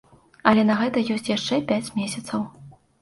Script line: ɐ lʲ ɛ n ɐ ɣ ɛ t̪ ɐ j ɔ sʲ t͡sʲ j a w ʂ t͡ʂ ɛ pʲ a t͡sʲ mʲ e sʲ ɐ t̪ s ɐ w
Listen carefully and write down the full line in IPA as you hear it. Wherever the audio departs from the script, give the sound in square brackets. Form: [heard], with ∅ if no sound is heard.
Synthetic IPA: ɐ lʲ ɛ n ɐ ɣ ɛ t̪ ɐ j ɔ sʲ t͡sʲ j a [∅] ʂ t͡ʂ ɛ pʲ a t͡sʲ mʲ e sʲ ɐ t̪ s ɐ w